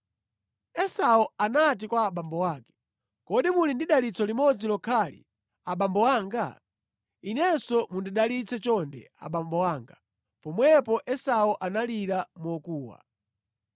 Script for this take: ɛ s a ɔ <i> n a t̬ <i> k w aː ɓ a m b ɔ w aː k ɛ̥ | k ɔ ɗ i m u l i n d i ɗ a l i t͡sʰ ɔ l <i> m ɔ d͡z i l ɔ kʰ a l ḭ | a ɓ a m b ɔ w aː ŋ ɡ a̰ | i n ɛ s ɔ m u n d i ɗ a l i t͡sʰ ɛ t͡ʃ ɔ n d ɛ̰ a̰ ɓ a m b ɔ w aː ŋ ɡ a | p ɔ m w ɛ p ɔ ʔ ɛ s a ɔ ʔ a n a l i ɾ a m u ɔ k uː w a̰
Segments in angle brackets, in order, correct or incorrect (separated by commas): incorrect, correct, correct